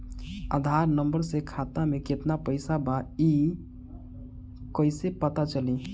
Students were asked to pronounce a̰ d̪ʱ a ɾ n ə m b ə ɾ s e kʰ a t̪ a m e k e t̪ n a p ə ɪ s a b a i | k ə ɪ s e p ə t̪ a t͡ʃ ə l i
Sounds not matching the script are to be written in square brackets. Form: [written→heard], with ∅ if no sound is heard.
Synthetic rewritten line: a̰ d̪ʱ a ɾ n ə m b ə ɾ s e kʰ a t̪ a m e k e t̪ n a p ə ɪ s a b a i | k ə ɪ s e p ə t̪ a t͡ʃ ə l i